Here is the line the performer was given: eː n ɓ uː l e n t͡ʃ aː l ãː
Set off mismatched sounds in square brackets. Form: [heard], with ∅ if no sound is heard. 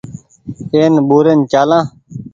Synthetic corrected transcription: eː n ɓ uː [ɾ] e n t͡ʃ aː l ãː